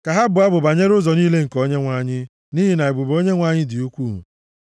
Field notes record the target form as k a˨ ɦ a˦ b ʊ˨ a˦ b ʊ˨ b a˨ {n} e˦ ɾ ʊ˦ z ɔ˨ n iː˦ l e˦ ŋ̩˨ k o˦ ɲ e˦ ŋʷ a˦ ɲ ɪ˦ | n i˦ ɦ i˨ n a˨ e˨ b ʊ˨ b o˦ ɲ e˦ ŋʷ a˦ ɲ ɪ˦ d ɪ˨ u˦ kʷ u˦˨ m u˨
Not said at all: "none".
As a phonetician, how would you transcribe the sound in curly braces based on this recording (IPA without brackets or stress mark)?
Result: ɲ